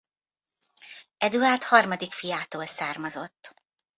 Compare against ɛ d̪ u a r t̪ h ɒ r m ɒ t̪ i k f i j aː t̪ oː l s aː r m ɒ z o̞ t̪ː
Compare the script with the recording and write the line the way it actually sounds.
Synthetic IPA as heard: ɛ d̪ u a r t̪ h ɒ r m ɒ d̪ i k f i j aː t̪ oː l s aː r m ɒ z o̞ t̪ː